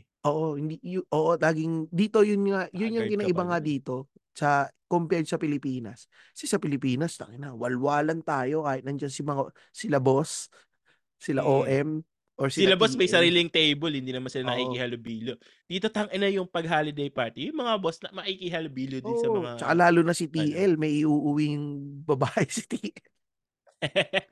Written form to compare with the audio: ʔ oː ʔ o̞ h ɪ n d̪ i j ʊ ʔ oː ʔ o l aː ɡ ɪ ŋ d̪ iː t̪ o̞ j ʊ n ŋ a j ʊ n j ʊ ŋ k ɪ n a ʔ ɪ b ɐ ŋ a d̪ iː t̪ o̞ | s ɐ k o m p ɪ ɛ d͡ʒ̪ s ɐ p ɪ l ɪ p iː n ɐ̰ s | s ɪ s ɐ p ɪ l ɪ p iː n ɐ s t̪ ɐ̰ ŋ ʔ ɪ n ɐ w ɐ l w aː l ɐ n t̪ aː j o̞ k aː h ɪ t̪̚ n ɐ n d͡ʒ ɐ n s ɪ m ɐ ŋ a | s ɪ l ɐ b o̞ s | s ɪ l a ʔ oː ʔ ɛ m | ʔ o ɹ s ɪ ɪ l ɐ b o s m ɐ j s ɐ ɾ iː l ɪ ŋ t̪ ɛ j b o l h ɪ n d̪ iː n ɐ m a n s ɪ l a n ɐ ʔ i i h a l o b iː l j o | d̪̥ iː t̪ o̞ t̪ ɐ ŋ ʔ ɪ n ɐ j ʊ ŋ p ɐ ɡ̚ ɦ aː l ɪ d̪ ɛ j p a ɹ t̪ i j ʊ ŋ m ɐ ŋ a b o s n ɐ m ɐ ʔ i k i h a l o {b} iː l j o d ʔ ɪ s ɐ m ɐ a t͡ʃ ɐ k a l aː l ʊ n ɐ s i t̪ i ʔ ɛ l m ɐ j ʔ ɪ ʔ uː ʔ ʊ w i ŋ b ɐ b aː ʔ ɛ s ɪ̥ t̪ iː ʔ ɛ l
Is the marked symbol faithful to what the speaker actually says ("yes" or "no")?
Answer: yes